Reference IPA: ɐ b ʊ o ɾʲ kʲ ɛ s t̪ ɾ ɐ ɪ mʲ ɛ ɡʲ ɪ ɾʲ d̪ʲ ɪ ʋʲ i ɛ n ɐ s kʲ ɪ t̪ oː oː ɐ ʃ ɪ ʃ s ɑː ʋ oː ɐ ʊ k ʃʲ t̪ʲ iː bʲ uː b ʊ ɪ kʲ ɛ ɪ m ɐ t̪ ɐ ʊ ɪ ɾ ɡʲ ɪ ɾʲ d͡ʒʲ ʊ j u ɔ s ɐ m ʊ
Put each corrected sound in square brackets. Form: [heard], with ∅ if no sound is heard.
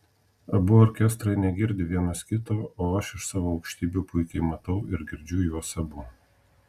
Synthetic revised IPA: ɐ b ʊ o ɾʲ kʲ ɛ s t̪ ɾ ɐ ɪ [nʲ] ɛ ɡʲ ɪ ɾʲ d̪ʲ ɪ ʋʲ i ɛ n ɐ s kʲ ɪ t̪ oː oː ɐ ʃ ɪ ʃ s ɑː ʋ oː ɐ ʊ k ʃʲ t̪ʲ iː bʲ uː [p] ʊ ɪ kʲ ɛ ɪ m ɐ t̪ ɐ ʊ ɪ ɾ ɡʲ ɪ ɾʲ d͡ʒʲ ʊ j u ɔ s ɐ [b] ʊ